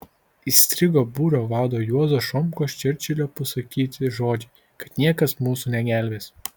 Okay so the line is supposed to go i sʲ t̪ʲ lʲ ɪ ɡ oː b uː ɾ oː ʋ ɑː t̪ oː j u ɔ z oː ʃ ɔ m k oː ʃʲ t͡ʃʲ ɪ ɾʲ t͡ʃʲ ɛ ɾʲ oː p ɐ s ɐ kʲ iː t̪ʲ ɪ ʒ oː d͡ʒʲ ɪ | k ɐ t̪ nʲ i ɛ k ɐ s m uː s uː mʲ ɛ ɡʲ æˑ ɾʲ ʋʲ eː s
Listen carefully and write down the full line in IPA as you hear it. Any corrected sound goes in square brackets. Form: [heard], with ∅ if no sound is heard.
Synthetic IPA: i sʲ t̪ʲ [ɾʲ] ɪ ɡ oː b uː ɾ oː ʋ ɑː [d̪] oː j u ɔ z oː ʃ ɔ m k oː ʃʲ t͡ʃʲ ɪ ɾʲ t͡ʃʲ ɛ [lʲ] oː p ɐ s ɐ kʲ iː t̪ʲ ɪ ʒ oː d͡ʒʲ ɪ | k ɐ t̪ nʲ i ɛ k ɐ s m uː s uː [nʲ] ɛ ɡʲ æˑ [lʲ] ʋʲ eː s